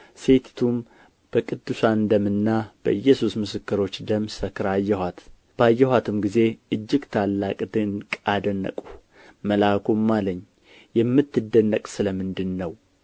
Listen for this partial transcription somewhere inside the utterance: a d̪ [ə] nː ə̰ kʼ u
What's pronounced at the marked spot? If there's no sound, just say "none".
ə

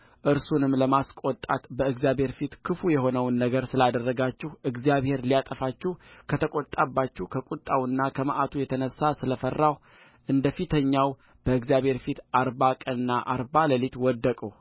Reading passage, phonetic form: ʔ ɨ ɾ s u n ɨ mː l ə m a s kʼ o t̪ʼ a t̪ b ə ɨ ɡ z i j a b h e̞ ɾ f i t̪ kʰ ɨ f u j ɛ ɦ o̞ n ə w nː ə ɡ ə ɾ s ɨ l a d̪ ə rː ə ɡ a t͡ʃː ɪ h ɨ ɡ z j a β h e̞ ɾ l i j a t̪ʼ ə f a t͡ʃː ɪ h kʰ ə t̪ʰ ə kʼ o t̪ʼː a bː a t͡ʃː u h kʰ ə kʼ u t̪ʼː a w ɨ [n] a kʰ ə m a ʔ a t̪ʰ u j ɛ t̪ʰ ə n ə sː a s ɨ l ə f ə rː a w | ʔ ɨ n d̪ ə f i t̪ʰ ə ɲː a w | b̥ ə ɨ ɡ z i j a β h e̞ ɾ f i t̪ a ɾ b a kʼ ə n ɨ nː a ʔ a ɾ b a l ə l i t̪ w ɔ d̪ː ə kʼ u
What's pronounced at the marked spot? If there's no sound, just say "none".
nː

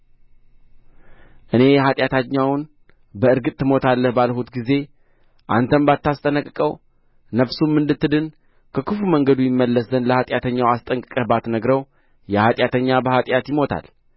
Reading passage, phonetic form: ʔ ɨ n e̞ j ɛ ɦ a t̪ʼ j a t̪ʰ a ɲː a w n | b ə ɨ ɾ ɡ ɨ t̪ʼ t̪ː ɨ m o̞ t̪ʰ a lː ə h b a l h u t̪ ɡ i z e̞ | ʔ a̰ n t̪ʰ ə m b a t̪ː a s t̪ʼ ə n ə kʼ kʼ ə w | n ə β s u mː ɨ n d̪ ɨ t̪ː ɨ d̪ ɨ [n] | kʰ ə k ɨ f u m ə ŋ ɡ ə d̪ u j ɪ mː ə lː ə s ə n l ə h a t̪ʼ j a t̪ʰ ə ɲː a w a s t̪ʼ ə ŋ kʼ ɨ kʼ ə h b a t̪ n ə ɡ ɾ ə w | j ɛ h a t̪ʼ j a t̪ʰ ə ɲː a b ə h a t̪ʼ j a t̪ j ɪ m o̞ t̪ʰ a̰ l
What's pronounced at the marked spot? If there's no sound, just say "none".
n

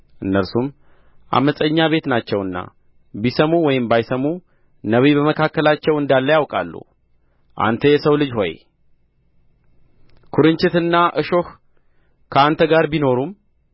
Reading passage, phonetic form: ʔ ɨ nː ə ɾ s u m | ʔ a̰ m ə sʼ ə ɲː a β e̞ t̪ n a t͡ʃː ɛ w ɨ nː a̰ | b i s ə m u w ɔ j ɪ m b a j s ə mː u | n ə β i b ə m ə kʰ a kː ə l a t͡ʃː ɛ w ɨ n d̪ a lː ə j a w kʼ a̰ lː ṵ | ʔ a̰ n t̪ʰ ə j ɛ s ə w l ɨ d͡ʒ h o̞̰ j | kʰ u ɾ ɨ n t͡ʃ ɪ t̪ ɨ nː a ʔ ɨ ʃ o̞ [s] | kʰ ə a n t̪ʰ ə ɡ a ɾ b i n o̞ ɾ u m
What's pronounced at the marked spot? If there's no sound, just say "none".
h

